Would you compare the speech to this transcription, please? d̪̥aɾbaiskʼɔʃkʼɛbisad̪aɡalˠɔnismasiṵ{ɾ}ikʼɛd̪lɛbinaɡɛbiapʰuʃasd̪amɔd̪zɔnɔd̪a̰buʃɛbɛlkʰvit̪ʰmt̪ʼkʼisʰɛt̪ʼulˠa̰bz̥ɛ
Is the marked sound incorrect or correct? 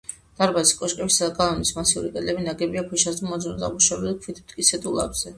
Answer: correct